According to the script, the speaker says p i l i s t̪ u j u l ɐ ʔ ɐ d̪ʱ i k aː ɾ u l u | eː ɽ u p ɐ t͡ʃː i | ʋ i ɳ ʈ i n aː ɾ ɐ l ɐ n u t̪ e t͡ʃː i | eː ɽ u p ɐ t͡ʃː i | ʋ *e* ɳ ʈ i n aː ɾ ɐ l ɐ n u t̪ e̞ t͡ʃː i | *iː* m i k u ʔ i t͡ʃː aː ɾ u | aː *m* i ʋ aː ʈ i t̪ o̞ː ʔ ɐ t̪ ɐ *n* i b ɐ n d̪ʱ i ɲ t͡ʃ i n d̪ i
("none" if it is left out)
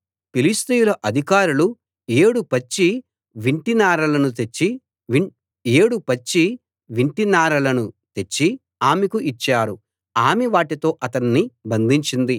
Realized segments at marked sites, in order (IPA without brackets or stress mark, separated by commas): i, aː, m, nː